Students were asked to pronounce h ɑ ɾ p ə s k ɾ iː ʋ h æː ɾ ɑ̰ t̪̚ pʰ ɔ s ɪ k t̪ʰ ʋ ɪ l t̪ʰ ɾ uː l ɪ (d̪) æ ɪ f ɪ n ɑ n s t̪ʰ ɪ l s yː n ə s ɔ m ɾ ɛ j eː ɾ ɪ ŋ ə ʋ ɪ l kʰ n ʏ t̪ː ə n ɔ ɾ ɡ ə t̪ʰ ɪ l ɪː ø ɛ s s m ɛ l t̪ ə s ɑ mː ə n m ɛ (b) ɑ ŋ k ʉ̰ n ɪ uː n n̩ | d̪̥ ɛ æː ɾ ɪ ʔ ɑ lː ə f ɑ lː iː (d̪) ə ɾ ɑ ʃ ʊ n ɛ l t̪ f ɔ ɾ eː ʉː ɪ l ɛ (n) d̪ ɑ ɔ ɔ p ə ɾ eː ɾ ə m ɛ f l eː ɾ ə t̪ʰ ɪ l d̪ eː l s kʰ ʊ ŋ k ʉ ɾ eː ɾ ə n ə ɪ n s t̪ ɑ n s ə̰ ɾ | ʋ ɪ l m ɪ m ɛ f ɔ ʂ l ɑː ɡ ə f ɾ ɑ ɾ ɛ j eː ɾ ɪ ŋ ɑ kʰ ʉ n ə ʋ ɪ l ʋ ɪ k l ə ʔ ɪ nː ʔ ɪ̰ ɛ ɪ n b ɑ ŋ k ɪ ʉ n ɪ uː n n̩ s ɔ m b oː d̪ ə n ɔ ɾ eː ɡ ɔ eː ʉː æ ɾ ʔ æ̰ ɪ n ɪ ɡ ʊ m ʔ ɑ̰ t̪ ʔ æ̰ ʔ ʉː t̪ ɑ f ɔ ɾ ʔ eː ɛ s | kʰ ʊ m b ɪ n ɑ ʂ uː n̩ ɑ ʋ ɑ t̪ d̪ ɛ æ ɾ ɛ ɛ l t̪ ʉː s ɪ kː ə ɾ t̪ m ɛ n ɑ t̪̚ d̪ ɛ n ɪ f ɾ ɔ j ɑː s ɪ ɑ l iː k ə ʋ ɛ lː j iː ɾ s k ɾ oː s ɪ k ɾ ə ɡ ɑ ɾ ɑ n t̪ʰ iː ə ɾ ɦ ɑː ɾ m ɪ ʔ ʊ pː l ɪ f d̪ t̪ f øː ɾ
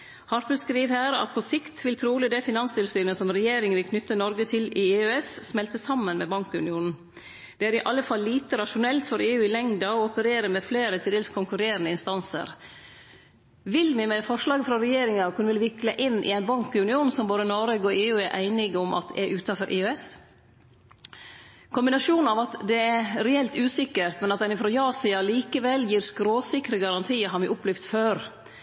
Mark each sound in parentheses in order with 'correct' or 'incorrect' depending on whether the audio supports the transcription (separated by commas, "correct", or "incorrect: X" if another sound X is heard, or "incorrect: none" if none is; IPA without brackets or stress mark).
correct, correct, incorrect: t̪, incorrect: ŋ